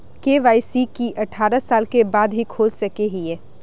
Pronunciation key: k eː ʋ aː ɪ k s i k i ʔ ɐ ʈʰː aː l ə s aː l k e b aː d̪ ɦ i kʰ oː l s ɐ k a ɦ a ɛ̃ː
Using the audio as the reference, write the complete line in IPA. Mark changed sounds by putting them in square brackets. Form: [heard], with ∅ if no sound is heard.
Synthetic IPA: k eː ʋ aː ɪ [∅] s i k i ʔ ɐ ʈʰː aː [ɾ] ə s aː l k e b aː d̪ ɦ i kʰ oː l s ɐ k [e] ɦ [i] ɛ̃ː